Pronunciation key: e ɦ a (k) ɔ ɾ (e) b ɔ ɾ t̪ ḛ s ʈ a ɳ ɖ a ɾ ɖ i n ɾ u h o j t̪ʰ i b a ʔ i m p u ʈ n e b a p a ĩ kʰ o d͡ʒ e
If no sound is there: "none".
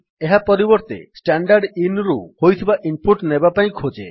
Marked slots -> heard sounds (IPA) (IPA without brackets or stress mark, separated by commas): p, i